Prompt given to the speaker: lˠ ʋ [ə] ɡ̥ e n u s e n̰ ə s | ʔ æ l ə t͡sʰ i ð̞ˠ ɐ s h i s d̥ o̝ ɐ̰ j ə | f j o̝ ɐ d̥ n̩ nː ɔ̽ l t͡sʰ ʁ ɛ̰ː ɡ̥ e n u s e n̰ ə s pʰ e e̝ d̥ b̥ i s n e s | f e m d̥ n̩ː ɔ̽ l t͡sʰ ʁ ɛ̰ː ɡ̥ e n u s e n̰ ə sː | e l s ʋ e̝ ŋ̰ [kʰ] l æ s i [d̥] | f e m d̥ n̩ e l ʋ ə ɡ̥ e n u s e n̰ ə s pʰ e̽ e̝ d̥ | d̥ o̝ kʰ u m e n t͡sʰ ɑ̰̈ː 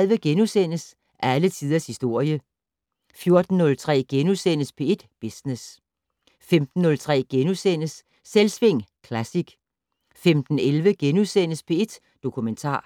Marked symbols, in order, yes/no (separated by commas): yes, yes, no